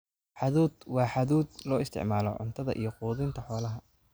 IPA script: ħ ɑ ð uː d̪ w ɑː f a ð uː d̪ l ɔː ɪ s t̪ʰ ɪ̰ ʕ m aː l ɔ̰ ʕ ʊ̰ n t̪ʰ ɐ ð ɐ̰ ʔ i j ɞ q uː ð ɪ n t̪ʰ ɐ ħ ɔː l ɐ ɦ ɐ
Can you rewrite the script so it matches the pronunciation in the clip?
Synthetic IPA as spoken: ħ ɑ ð uː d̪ w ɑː ħ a ð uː d̪ l ɔː ɪ s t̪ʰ ɪ̰ ʕ m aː l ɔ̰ ʕ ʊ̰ n t̪ʰ ɐ ð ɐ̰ ʔ i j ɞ q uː ð ɪ n t̪ʰ ɐ ħ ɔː l ɐ ɦ ɐ